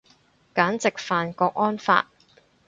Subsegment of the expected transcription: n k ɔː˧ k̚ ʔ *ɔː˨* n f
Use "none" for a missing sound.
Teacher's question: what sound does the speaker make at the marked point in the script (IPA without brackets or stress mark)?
ɔː˥